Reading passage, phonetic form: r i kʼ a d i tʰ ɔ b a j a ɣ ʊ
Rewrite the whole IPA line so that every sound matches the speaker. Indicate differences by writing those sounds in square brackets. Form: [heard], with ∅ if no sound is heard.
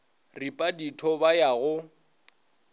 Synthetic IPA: r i [pʼ] a d i tʰ ɔ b a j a ɣ ʊ